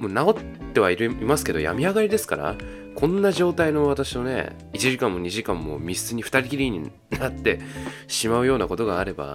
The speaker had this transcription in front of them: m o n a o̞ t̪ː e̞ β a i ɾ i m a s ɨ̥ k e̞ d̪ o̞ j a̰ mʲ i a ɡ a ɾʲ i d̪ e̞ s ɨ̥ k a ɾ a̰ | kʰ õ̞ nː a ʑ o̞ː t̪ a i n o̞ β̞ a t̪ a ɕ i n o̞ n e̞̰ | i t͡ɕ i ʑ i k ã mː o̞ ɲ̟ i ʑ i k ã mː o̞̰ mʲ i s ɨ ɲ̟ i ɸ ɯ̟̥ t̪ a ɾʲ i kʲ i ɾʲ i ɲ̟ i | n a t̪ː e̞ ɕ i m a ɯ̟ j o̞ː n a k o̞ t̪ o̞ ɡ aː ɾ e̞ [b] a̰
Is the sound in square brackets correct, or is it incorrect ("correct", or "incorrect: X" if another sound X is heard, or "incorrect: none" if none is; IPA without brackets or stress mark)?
correct